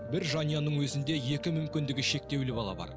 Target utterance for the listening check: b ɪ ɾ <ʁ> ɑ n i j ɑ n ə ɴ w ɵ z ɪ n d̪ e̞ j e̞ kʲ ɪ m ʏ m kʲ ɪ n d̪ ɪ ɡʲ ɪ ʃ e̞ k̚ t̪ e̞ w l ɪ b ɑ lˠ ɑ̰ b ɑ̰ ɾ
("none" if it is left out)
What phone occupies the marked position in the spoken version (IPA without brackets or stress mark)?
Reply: ʒ